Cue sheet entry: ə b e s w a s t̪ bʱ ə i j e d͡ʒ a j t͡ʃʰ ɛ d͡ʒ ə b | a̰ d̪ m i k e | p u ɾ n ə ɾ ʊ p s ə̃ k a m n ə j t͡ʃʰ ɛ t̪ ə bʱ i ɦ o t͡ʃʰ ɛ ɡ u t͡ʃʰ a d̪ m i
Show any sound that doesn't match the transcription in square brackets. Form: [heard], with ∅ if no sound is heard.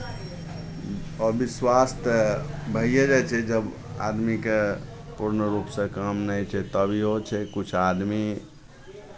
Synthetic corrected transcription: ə b [i] s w a s t̪ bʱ ə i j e d͡ʒ a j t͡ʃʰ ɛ d͡ʒ ə b | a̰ d̪ m i k e | p u ɾ n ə ɾ [u] p s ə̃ k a m n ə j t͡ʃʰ ɛ t̪ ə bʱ i ɦ o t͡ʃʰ ɛ [k] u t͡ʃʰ a d̪ m i